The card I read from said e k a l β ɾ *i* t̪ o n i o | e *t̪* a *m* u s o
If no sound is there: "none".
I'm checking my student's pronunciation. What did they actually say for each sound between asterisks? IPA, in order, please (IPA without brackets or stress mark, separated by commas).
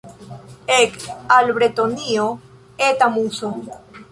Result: e, t̪, m